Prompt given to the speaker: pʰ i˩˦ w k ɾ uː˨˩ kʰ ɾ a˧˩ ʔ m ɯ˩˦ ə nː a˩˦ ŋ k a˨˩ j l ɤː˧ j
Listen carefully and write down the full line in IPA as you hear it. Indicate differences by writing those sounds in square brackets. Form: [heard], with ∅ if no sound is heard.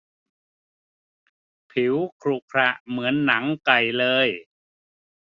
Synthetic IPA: pʰ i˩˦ w [kʰ] ɾ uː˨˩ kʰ ɾ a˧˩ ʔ m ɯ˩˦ ə nː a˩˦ ŋ k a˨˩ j l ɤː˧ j